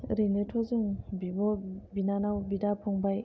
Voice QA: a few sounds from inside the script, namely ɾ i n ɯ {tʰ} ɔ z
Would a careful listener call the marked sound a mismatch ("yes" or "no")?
no